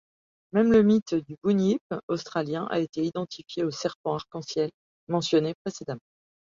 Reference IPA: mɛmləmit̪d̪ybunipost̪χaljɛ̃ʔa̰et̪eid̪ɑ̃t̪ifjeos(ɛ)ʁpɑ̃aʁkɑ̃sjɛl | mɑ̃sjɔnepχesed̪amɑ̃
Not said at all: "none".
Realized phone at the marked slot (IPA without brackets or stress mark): ɛ